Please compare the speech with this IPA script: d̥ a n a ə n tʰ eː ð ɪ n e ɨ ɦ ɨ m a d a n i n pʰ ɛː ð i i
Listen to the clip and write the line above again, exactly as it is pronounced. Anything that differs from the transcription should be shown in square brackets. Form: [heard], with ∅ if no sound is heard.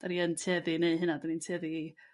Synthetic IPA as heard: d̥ a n [i] ə n tʰ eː ð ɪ n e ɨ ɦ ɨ [n] a d a n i n [tʰ] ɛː ð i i